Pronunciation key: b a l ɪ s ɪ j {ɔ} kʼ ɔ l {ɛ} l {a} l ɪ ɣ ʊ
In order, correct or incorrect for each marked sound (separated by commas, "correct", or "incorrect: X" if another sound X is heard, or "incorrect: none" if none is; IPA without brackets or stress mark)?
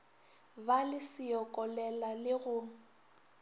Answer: correct, correct, correct